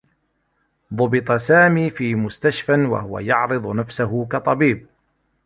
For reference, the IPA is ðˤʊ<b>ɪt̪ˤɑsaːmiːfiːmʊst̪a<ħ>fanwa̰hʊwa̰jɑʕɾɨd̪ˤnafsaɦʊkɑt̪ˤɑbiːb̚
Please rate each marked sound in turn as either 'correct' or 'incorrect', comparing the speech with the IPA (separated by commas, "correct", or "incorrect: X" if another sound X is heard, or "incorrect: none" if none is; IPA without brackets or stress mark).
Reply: correct, incorrect: ʃ